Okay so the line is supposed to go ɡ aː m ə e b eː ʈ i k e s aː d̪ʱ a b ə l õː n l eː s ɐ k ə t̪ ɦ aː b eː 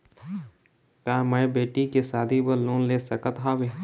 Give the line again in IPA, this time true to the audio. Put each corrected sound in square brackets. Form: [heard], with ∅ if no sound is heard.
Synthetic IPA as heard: [k] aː m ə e b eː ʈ i k e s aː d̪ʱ [i] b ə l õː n l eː s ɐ k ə t̪ ɦ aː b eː